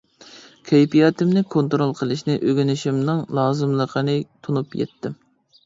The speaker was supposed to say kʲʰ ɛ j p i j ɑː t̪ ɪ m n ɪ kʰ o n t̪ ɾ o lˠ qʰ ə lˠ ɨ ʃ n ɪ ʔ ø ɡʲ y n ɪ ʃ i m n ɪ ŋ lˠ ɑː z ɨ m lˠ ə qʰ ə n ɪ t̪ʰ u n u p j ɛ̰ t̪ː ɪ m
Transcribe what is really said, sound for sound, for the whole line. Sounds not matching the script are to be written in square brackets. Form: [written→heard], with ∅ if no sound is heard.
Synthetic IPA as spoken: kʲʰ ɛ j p i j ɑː t̪ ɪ m n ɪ kʰ o n t̪ ɾ o lˠ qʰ ə lˠ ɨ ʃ n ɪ ʔ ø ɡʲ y n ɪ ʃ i m n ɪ ŋ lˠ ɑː z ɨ m lˠ ə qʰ ə n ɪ t̪ʰ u n u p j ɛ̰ t̪ː ɪ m

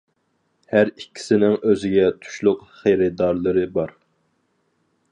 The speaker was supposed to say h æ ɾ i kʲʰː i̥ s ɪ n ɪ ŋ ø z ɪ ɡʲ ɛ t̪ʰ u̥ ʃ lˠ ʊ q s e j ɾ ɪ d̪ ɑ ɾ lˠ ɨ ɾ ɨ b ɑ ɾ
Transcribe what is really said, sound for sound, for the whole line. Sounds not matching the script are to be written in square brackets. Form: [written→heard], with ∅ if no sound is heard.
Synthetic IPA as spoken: h æ ɾ i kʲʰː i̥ s ɪ n ɪ ŋ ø z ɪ ɡʲ ɛ t̪ʰ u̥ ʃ lˠ ʊ q [s→χ] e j ɾ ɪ d̪ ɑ ɾ lˠ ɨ ɾ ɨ b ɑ ɾ

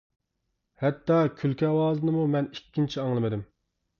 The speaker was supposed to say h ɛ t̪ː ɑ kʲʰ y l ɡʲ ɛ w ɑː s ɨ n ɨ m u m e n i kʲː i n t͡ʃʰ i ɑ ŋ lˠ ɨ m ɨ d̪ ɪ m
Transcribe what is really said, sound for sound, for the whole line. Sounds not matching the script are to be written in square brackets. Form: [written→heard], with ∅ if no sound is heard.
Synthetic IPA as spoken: h ɛ t̪ː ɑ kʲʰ y l [ɡʲ→kʲ] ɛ w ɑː [s→z] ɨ n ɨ m u m [e→ɛ] n i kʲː i n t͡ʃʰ i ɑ ŋ lˠ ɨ m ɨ d̪ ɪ m

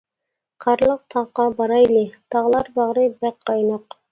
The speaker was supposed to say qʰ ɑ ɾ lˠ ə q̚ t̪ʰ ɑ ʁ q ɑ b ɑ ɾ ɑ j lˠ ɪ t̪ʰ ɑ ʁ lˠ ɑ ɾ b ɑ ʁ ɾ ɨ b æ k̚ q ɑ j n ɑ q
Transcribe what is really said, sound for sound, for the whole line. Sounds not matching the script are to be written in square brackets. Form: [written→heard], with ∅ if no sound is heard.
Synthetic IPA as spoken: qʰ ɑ ɾ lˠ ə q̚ t̪ʰ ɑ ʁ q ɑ b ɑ ɾ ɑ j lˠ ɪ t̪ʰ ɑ ʁ lˠ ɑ ɾ b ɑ ʁ ɾ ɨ b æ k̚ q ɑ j n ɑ q

